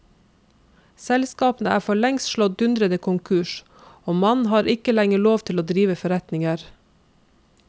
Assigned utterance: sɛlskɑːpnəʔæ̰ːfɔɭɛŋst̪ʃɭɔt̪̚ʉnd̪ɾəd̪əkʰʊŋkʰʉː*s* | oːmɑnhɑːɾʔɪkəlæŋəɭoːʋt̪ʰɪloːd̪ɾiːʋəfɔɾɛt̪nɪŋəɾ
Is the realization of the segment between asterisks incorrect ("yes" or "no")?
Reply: yes